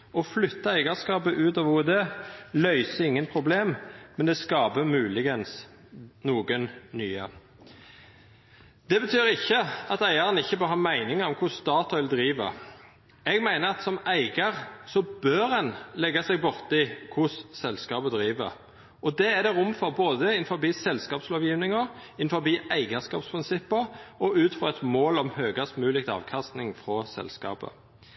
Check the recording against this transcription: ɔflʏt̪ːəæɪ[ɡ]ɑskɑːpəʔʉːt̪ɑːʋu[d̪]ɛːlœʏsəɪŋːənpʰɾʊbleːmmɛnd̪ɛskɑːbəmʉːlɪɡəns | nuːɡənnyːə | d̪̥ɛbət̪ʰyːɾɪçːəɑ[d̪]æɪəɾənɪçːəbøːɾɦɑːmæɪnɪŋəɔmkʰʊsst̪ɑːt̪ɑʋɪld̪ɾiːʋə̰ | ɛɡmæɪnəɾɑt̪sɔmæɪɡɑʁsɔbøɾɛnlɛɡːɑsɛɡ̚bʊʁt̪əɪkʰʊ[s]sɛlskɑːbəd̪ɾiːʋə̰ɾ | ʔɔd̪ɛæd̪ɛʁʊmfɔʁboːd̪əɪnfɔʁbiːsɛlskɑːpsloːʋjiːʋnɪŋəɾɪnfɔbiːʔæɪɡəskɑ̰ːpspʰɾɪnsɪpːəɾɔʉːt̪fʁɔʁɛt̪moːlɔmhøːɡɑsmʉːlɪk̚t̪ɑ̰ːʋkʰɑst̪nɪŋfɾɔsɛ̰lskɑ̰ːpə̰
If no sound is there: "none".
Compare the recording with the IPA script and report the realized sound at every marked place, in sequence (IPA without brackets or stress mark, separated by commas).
ɡ, d̪, t̪, s